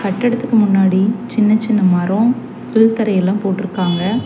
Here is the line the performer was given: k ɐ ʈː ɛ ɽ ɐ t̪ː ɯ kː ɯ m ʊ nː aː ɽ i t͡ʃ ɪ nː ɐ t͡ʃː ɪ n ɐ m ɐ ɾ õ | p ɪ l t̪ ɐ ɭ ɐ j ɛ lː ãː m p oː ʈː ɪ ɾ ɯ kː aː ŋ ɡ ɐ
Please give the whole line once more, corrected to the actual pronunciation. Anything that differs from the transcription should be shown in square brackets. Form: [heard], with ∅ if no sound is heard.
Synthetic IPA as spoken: k ɐ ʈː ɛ ɽ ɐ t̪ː ɯ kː ɯ m ʊ nː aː ɽ i t͡ʃ ɪ nː ɐ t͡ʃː ɪ [nː] ɐ m ɐ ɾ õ | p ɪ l t̪ ɐ [ɾ] ɐ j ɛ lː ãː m p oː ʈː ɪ ɾ ɯ kː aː ŋ ɡ ɐ